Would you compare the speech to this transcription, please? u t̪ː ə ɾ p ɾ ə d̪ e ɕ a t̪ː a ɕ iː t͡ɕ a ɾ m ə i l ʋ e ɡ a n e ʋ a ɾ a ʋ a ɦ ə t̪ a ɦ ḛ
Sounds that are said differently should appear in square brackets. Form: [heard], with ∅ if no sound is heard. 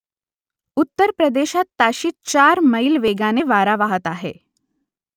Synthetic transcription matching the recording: u t̪ː ə ɾ p ɾ ə d̪ e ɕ a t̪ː a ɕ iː t͡ɕ a ɾ m ə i l ʋ e ɡ a n e ʋ a ɾ a ʋ a ɦ ə t̪ a ɦ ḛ